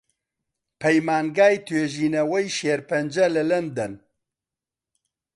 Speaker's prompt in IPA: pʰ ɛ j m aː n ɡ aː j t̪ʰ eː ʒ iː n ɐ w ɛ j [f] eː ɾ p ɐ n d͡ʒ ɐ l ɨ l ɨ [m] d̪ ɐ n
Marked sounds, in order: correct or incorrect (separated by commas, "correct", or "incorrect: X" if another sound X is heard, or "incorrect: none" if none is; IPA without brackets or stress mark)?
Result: incorrect: ʃ, incorrect: n